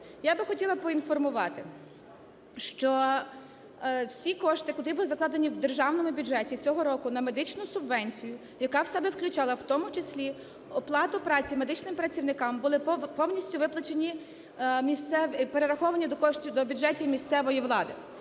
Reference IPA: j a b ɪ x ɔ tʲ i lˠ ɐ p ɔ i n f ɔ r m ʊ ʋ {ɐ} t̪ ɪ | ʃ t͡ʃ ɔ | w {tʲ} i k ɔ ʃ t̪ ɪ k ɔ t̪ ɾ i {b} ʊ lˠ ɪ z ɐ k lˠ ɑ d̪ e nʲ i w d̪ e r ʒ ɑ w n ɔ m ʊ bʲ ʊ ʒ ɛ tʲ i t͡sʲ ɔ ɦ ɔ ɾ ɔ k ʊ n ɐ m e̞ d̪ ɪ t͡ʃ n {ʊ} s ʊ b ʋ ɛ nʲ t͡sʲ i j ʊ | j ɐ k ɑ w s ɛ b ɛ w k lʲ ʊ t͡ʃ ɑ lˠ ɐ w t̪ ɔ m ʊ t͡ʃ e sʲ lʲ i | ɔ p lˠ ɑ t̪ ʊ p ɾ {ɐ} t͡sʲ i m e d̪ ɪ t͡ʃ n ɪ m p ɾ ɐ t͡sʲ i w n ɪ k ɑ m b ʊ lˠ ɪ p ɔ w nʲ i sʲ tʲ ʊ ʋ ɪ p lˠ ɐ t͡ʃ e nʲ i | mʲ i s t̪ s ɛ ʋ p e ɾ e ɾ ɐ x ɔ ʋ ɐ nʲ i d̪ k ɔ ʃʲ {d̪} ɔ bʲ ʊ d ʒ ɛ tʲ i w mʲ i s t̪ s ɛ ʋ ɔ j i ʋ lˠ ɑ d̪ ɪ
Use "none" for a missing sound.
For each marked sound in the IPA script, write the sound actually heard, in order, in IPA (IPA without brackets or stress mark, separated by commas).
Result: ɑ, sʲ, b, ʊ, ɑ, d̪